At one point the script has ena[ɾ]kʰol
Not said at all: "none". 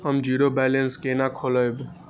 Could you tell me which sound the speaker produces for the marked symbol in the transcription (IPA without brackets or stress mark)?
none